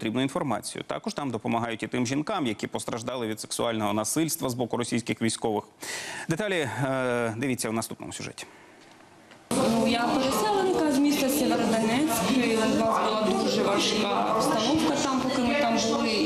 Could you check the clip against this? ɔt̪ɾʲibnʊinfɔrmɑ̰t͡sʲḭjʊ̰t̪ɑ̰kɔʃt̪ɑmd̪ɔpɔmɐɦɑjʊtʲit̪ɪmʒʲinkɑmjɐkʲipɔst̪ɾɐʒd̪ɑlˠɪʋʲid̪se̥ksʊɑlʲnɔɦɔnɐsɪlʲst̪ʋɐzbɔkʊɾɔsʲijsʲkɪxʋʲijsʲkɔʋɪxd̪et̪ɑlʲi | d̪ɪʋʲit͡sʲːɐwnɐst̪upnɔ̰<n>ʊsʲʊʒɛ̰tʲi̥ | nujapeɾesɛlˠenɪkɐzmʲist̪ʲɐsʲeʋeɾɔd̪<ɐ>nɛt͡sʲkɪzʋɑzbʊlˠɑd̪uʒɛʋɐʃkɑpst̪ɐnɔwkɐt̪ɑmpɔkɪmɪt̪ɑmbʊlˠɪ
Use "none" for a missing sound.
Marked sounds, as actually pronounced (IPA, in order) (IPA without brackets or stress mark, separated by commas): m, ɐ